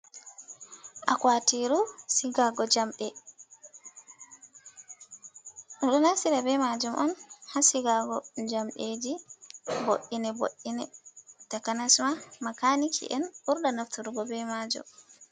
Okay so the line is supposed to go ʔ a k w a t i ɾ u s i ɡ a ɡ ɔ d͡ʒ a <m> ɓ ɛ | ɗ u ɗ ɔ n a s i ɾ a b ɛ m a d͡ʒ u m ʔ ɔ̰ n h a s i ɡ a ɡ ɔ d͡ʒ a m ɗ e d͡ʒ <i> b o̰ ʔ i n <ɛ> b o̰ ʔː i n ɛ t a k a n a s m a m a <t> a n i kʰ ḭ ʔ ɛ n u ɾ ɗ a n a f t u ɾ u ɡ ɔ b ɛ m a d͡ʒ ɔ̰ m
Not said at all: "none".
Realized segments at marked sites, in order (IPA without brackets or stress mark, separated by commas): m, i, ɛ, k